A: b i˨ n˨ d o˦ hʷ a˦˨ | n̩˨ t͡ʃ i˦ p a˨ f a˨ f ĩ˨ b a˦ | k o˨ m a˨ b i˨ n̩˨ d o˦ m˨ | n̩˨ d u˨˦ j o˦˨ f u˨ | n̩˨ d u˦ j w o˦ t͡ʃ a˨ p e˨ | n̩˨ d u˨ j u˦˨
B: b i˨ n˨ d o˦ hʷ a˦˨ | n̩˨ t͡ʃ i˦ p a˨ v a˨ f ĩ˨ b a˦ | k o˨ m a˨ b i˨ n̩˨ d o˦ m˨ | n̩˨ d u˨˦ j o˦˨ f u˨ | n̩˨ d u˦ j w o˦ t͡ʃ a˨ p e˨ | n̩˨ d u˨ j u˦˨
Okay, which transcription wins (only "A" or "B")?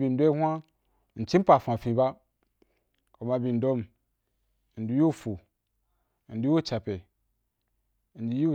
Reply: A